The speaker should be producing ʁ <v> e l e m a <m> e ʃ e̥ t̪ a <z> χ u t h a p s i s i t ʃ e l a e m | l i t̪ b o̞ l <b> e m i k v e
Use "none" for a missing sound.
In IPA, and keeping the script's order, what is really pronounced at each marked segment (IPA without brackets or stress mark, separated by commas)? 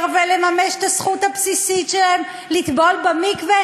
v, m, s, b